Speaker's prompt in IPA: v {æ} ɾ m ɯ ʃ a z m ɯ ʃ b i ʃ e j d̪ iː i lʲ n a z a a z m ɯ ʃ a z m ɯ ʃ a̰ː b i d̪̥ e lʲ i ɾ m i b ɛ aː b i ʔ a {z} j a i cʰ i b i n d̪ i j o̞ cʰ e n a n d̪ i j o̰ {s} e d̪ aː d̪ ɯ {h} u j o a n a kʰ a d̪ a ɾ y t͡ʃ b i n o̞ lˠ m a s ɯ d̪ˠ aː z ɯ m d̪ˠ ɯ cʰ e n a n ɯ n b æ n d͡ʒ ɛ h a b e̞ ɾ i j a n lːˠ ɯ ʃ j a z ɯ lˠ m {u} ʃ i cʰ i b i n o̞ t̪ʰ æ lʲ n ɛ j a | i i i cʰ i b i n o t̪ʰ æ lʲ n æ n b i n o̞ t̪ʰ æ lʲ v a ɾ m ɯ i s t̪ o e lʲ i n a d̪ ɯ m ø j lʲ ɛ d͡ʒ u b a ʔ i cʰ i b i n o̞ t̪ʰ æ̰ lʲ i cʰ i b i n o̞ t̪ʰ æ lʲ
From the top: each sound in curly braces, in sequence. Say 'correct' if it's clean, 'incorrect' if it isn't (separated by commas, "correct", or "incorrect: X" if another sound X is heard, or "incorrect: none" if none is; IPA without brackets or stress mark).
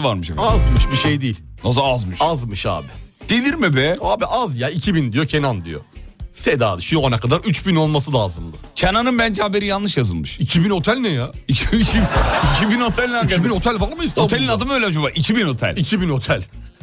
incorrect: a, correct, correct, incorrect: ʃ, incorrect: ɯ